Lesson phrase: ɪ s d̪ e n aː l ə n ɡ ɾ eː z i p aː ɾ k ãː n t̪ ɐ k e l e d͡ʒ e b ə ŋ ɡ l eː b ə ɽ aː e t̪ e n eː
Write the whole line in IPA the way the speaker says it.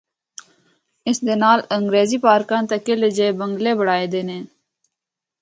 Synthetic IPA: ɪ s d̪ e n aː l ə ŋ ɡ ɾ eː z i p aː ɾ k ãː n t̪ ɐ k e l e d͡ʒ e b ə ŋ ɡ l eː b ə ɽ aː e d̪ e n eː